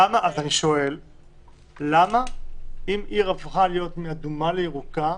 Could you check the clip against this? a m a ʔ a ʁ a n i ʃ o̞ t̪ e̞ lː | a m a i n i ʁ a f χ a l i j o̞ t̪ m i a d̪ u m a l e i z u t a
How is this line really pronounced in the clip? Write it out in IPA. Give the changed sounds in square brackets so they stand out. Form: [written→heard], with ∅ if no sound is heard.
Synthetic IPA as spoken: a m a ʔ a [ʁ→z] a n i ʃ o̞ [t̪→∅] e̞ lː | a m a i [n→m] i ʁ a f χ a l i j o̞ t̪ m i a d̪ u m a l e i [z→ʁ] u [t→k] a